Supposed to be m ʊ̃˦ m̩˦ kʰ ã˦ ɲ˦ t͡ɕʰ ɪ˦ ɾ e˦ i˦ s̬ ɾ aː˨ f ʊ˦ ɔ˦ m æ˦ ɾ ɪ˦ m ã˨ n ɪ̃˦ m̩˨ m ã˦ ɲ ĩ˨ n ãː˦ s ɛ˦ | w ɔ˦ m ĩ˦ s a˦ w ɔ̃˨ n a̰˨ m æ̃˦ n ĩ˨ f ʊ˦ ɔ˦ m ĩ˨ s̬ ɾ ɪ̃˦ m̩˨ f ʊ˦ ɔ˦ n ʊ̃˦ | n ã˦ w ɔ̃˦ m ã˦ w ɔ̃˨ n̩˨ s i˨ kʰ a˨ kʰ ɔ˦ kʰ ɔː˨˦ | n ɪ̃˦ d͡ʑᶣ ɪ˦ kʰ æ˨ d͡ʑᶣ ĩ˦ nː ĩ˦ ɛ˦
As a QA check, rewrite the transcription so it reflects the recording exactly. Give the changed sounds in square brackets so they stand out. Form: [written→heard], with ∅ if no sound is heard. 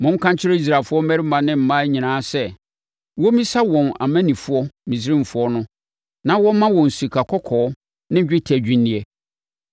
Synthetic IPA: m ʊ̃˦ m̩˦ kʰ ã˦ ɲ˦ t͡ɕʰ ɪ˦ ɾ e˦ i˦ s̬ ɾ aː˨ f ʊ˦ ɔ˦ m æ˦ ɾ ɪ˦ m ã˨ n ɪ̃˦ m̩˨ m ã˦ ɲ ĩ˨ n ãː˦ s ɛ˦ | w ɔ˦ m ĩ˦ s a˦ w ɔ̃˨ n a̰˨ m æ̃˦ n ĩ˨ f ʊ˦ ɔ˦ m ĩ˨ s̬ ɾ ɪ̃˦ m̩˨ f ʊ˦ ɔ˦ n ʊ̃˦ | n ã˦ w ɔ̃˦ m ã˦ w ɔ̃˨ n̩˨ s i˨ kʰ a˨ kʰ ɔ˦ kʰ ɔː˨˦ | n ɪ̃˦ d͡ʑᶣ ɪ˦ [kʰ→tʰ] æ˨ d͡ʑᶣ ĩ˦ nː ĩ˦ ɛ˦